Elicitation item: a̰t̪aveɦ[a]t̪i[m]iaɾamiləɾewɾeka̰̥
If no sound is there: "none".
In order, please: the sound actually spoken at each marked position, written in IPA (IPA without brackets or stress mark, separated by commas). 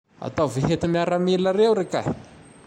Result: e, m